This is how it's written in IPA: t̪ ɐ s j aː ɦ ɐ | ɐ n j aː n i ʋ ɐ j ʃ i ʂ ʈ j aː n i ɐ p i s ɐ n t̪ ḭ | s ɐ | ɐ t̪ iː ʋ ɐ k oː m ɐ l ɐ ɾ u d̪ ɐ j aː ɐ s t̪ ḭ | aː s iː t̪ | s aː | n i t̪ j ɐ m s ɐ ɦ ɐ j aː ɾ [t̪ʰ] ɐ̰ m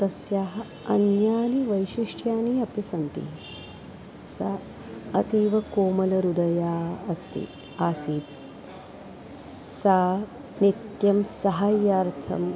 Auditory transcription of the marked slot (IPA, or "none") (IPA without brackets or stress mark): t̪ʰ